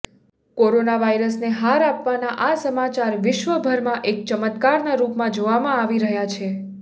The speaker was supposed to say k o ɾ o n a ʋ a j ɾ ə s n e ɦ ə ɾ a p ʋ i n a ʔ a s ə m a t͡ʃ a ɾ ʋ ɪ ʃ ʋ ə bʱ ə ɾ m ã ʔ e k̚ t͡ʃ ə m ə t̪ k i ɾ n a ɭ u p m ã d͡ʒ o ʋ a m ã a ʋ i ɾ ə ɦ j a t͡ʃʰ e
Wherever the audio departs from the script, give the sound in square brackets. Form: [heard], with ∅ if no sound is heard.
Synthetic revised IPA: k o ɾ o n a ʋ a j ɾ ə s n e ɦ [a] ɾ a p ʋ [a] n a ʔ a s ə m a t͡ʃ a ɾ ʋ ɪ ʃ ʋ ə bʱ ə ɾ m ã ʔ e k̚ t͡ʃ ə m ə t̪ k [a] ɾ n a [ɾ] u p m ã d͡ʒ o ʋ a m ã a ʋ i ɾ ə ɦ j a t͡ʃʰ e